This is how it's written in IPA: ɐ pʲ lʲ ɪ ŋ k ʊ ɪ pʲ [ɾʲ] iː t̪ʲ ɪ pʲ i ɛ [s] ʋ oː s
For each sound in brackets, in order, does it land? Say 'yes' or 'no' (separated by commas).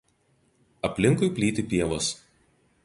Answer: no, no